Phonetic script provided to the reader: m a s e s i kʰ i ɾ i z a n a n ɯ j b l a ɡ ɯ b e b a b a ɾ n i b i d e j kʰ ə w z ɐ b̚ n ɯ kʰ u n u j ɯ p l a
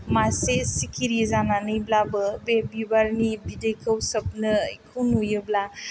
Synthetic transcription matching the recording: m a s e s i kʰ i ɾ i z a n a n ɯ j b l a b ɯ b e b i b a ɾ n i b i d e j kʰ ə w s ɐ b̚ n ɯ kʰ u n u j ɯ b l a